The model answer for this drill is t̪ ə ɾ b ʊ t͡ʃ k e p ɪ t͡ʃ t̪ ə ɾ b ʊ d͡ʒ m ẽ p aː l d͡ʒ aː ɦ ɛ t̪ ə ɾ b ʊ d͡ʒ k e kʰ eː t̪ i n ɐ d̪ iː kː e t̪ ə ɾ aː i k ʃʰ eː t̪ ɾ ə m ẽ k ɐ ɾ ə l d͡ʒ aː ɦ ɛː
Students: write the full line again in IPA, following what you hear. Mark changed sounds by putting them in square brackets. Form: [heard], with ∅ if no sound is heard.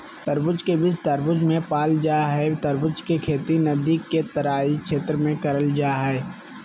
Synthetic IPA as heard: t̪ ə ɾ b ʊ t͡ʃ k e [b] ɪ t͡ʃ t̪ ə ɾ b ʊ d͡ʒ m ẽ p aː l d͡ʒ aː ɦ ɛ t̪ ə ɾ b ʊ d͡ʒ k e kʰ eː t̪ i n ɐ d̪ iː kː e t̪ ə ɾ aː i k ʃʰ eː t̪ ɾ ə m ẽ k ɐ ɾ ə l d͡ʒ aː ɦ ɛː